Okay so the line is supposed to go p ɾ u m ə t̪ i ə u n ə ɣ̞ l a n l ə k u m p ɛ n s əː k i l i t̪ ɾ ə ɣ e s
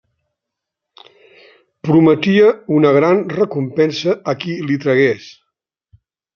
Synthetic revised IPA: p ɾ u m ə t̪ i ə u n ə ɣ̞ ɾ a n r ə k u m p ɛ n s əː k i l i t̪ ɾ ə ɣ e s